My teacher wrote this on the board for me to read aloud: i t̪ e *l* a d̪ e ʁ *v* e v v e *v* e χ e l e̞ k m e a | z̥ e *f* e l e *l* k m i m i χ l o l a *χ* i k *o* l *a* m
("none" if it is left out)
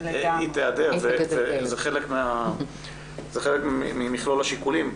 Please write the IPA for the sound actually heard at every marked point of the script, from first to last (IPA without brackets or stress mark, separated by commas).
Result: none, v, z, χ, none, ʃ, u, i